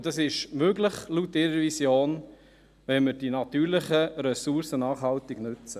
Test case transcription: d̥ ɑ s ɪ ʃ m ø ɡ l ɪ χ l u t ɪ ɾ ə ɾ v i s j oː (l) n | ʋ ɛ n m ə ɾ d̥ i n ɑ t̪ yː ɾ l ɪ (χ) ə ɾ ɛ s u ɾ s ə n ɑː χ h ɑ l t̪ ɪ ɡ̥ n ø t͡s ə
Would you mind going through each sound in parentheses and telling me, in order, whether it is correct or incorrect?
incorrect: none, correct

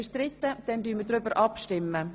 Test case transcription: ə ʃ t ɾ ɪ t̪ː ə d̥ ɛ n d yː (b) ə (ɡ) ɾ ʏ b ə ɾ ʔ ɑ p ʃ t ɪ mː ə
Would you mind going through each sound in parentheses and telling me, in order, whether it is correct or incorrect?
incorrect: m, incorrect: d

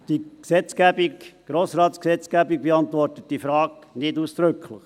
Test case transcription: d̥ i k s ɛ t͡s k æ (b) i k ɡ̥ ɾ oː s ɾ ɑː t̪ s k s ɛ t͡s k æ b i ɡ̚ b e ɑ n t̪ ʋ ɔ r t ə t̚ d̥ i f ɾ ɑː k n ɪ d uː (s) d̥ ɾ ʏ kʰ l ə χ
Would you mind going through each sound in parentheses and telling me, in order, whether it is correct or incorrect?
correct, correct

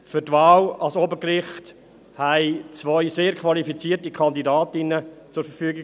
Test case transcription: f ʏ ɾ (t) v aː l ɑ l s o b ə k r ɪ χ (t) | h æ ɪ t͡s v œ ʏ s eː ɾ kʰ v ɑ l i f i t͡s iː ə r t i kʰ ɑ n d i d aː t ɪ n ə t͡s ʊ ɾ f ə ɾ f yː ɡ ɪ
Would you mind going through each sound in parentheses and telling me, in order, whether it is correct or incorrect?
correct, correct

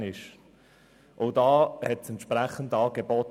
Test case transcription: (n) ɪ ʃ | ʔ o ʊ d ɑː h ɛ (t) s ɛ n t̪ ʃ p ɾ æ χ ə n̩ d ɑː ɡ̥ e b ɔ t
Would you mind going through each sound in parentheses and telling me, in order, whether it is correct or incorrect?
correct, correct

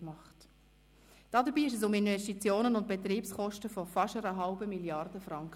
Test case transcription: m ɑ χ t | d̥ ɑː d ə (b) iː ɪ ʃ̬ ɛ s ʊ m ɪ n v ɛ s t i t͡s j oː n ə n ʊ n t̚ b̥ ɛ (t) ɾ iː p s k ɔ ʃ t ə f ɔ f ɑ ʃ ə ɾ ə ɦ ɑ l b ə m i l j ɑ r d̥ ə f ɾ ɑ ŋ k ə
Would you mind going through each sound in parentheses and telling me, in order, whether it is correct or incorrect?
correct, correct

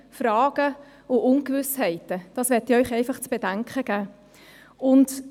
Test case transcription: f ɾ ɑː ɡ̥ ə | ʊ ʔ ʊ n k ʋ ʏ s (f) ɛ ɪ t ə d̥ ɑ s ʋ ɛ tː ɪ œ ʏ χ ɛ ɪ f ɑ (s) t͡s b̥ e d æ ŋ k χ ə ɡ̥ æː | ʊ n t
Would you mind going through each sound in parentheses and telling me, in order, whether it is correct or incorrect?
incorrect: h, incorrect: χ

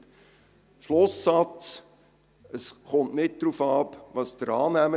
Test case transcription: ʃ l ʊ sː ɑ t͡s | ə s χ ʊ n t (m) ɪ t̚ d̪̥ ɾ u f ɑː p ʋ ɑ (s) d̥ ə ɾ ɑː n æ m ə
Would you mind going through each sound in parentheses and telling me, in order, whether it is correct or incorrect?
incorrect: n, correct

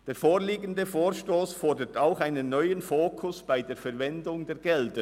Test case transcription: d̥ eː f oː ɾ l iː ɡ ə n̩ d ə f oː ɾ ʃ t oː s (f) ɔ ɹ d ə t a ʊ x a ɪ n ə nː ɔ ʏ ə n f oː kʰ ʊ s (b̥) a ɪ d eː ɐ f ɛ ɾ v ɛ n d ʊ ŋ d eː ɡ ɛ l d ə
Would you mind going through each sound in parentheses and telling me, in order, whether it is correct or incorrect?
correct, correct

